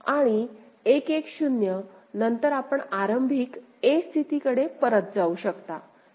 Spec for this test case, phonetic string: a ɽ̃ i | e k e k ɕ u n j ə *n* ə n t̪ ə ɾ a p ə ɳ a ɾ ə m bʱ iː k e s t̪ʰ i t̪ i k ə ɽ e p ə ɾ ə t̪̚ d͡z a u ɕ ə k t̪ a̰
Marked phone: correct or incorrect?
correct